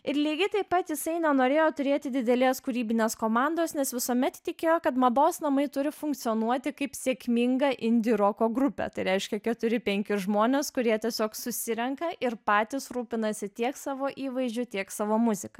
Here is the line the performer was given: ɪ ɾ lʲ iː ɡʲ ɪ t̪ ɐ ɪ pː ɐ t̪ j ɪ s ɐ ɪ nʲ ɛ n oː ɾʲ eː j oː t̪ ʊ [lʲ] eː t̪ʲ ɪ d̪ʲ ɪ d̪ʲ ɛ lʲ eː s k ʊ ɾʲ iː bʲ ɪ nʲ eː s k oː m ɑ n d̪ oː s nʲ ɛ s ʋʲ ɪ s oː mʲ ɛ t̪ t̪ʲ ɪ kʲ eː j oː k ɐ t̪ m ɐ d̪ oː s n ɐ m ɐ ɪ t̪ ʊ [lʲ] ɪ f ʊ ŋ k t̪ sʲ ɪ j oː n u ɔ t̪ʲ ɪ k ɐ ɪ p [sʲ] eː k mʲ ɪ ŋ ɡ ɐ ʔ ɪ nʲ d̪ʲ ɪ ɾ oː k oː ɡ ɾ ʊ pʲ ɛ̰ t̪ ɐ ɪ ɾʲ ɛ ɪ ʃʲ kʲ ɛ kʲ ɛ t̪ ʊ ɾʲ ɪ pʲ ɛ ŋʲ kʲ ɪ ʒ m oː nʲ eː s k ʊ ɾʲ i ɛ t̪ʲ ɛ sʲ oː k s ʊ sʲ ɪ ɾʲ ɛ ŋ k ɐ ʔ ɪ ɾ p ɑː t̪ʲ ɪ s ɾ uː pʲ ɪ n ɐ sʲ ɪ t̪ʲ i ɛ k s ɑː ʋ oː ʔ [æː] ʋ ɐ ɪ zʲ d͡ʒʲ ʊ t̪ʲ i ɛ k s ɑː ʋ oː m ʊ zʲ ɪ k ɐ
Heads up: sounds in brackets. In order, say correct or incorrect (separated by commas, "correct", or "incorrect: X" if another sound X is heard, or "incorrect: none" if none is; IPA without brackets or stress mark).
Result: incorrect: ɾʲ, incorrect: ɾʲ, correct, incorrect: iː